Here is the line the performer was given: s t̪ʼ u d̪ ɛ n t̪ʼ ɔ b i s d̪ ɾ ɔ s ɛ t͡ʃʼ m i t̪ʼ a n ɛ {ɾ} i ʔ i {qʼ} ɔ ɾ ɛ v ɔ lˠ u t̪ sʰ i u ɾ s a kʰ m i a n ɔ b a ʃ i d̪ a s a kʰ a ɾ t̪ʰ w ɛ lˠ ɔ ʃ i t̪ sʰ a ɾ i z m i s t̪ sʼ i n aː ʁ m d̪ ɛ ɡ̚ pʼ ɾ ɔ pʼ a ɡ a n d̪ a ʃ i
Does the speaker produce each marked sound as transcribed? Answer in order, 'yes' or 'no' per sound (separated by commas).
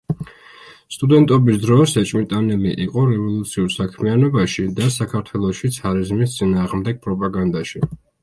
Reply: no, yes